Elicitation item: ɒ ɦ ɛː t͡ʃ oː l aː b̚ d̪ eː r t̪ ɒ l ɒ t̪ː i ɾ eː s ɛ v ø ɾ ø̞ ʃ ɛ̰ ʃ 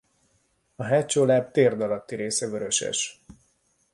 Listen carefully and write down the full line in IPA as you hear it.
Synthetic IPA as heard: ɒ ɦ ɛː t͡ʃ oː l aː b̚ t̪ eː r d̪ ɒ l ɒ t̪ː i ɾ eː s ɛ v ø ɾ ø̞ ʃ ɛ̰ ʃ